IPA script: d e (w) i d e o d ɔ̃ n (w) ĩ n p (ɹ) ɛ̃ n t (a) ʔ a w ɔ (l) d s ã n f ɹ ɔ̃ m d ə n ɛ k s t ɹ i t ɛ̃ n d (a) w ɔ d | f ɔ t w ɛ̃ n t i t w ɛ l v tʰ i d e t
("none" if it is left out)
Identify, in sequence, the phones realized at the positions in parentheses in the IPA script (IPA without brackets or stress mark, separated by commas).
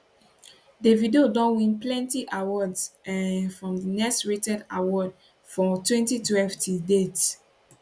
v, w, l, i, none, a